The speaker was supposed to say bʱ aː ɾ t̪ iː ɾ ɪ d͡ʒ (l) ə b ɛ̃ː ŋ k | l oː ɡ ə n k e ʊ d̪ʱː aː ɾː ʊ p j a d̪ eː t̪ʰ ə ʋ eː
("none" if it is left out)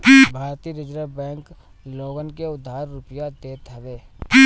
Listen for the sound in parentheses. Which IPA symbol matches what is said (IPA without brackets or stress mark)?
ɾ